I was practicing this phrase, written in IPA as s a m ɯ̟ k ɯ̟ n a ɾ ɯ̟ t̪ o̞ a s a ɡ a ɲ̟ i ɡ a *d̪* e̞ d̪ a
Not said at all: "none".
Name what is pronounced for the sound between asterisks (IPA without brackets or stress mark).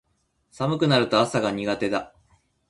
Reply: t̪